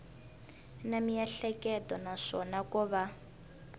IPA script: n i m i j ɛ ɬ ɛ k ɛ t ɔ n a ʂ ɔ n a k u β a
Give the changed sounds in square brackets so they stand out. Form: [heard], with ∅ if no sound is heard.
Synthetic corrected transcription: n [a] m i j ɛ ɬ ɛ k ɛ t ɔ n a ʂ ɔ n a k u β a